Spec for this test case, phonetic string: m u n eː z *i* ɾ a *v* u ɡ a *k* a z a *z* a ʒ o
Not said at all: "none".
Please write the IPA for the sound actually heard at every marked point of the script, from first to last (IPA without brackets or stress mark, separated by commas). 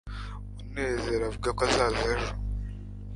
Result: e, v, k, z